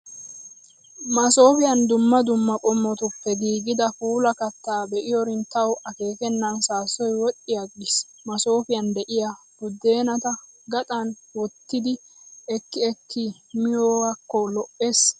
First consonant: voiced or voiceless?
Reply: voiced